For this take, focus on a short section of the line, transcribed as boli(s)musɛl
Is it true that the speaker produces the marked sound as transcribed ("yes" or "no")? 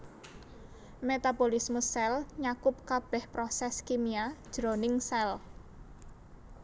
yes